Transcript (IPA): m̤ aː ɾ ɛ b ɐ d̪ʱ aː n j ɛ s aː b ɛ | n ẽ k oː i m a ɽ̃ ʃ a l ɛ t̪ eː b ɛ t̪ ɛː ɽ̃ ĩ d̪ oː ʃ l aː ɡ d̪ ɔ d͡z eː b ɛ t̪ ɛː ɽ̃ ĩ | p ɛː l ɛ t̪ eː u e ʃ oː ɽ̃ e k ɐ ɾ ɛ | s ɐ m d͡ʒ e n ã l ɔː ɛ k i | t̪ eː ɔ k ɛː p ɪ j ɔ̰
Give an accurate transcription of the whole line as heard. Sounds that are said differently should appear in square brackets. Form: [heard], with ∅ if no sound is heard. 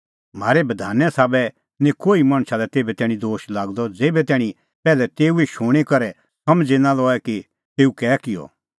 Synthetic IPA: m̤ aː ɾ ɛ b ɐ d̪ʱ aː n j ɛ s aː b ɛ | n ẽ k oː i m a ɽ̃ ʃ a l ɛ t̪ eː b ɛ t̪ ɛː ɽ̃ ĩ d̪ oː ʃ l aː ɡ d̪ ɔ d͡z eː b ɛ t̪ ɛː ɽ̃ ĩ | p ɛː l ɛ t̪ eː u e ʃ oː ɽ̃ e k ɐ ɾ ɛ | s ɐ m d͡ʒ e n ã l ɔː ɛ k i | t̪ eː [u] k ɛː [k] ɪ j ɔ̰